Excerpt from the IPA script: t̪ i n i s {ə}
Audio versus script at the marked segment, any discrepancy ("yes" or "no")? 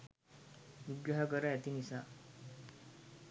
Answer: yes